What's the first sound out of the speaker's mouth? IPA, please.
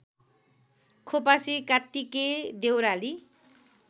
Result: kʰ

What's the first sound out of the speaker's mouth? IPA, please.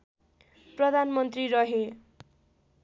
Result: p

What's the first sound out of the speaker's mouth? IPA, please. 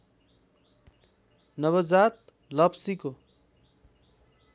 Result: n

